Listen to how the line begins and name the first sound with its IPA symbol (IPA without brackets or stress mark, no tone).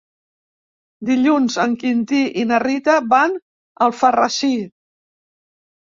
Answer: d̪